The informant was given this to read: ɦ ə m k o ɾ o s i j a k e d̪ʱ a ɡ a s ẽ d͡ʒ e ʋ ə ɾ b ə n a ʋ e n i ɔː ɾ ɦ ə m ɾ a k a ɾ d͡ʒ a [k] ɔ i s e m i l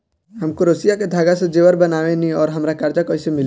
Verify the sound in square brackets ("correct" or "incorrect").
correct